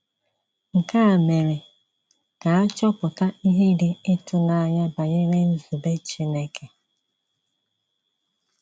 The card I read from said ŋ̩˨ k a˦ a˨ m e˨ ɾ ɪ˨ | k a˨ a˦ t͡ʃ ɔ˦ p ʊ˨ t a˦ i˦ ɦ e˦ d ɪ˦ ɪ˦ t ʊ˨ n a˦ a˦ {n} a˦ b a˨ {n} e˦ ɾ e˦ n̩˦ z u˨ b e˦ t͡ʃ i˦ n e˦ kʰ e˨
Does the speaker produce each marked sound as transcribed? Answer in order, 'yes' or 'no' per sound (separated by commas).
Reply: no, no